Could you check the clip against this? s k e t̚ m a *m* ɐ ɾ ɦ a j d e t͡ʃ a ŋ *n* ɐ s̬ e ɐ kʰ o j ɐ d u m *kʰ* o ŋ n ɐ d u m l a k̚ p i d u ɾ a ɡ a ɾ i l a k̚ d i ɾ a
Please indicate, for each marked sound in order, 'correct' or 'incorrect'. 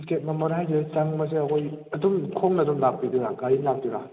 correct, incorrect: m, correct

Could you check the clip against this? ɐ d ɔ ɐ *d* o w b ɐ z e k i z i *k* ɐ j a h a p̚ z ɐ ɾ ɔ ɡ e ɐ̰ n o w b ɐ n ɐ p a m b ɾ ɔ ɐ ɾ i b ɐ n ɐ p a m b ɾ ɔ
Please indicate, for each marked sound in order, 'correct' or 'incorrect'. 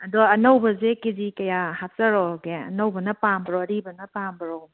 incorrect: n, correct

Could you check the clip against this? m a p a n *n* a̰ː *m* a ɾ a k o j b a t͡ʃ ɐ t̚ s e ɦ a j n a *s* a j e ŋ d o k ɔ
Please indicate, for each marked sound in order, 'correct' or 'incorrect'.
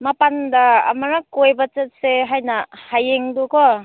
incorrect: d, correct, incorrect: h

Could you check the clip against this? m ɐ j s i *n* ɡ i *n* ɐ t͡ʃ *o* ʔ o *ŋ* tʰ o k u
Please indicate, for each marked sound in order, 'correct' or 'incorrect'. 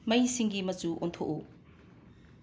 incorrect: ŋ, incorrect: m, incorrect: u, incorrect: n

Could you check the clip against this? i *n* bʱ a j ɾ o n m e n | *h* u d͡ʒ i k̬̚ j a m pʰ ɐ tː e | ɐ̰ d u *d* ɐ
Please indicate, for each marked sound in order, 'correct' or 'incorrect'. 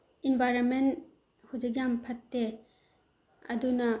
correct, correct, incorrect: n

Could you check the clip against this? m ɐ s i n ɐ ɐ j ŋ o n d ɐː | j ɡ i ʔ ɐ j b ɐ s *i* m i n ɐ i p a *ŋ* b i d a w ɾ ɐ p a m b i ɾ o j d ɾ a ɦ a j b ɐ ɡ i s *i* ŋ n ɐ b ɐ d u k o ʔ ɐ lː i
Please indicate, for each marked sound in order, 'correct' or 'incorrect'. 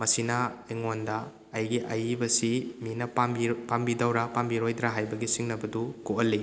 correct, incorrect: m, correct

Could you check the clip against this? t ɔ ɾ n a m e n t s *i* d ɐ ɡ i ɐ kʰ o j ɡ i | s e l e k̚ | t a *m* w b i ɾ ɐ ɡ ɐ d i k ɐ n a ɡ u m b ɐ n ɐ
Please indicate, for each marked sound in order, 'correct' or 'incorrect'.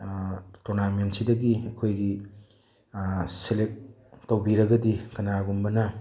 correct, incorrect: none

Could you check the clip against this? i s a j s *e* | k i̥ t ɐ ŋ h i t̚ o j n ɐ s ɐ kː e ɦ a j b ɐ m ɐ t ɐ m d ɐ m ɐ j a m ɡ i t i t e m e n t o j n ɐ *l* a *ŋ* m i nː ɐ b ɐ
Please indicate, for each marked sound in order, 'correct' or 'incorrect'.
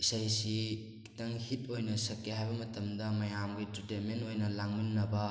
incorrect: i, correct, correct

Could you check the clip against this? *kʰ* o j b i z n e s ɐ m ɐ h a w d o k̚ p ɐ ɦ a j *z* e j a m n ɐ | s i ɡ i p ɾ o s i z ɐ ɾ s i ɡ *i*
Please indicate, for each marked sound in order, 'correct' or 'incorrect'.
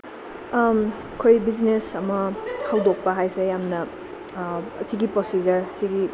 correct, incorrect: s, correct

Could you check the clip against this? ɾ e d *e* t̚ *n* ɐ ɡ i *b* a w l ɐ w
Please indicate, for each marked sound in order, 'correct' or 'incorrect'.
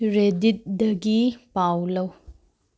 incorrect: i, incorrect: d, incorrect: p

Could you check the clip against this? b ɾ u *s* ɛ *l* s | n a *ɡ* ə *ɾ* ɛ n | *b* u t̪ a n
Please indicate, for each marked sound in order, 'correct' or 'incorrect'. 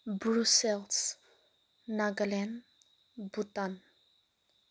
correct, correct, correct, incorrect: l, correct

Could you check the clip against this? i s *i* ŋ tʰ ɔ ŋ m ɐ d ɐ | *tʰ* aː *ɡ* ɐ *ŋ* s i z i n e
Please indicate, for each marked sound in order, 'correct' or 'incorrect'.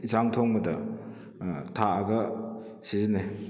incorrect: a, correct, correct, incorrect: none

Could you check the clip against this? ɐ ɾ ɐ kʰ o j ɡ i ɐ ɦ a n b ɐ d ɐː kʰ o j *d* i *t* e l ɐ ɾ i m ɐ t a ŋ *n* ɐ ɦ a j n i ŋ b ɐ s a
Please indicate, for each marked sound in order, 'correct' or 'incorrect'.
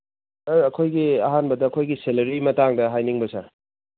incorrect: ɡ, incorrect: s, incorrect: d

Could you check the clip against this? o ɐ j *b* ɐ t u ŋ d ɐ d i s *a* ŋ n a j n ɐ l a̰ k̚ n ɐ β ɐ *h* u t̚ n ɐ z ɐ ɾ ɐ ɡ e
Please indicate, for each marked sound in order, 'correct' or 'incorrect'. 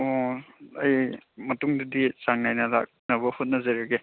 incorrect: m, correct, correct

